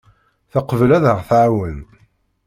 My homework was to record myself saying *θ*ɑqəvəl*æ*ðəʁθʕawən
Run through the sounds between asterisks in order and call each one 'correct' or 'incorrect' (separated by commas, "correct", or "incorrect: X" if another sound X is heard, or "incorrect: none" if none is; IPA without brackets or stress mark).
correct, correct